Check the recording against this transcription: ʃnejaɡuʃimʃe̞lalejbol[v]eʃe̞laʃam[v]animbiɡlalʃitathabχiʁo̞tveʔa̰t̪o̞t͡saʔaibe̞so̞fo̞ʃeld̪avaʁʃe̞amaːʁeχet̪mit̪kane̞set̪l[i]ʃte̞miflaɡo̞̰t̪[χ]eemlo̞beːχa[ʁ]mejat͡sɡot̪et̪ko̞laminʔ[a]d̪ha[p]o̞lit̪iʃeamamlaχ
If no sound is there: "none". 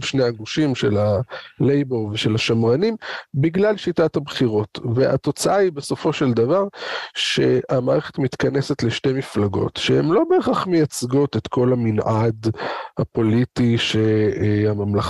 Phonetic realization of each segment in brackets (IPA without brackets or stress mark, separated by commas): v, ʁ, e, ʃ, χ, a, p